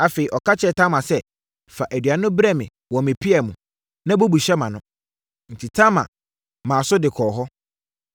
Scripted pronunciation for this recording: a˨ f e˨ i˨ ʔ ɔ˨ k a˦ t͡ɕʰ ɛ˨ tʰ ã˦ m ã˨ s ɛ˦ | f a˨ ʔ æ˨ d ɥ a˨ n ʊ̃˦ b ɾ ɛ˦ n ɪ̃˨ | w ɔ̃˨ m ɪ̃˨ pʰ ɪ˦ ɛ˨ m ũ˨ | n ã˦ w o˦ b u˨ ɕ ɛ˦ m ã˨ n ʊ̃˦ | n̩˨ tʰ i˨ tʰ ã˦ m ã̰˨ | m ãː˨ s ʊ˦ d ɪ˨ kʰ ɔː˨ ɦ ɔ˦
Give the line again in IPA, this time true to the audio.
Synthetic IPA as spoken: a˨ f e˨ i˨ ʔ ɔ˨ k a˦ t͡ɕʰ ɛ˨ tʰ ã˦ m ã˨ s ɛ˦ | f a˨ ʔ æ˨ d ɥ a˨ n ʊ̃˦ b ɾ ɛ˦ m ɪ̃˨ | w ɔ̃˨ m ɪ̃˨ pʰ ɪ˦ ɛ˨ m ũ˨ | n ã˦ b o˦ b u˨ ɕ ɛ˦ m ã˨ n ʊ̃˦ | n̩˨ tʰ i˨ tʰ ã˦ m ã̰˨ | m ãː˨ s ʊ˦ d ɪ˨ kʰ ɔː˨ ɦ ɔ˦